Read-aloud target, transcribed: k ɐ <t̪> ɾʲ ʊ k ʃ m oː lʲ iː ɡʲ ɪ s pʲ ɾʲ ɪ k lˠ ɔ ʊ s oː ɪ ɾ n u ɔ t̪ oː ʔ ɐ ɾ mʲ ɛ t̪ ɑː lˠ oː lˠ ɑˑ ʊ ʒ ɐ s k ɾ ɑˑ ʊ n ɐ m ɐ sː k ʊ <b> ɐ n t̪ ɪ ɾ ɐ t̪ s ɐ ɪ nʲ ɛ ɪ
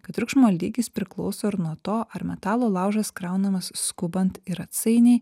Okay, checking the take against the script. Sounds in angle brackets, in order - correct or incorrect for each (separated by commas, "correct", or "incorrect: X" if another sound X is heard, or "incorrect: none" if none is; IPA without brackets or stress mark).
correct, correct